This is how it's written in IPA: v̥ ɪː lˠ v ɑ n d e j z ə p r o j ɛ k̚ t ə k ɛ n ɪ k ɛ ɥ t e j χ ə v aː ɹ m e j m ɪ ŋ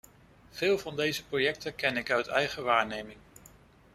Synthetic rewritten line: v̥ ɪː lˠ v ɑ n d e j z ə p r o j ɛ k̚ t ə k ɛ n ɪ k œ ɥ t ɛ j χ ə ʋ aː ɹ n e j m ɪ ŋ